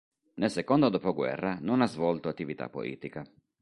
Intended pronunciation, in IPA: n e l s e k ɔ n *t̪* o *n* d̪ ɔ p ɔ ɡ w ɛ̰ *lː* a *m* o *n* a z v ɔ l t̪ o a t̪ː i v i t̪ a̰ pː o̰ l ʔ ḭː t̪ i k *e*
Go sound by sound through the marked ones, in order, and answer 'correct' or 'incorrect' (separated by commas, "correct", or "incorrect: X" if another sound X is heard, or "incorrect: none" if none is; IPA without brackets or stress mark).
incorrect: d̪, incorrect: none, incorrect: rː, incorrect: n, correct, incorrect: a